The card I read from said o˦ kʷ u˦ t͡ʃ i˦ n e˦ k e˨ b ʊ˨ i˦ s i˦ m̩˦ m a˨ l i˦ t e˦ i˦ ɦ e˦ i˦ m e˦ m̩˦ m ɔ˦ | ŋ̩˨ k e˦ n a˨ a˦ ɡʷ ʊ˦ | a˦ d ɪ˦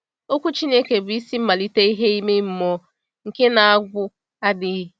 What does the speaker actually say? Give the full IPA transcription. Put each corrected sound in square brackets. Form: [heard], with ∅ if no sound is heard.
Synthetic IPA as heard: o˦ kʷ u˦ t͡ʃ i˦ n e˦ k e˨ b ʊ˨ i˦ s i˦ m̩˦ m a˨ l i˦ t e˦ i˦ ɦ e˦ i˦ m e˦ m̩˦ m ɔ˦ | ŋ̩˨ k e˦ n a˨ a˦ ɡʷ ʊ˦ | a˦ d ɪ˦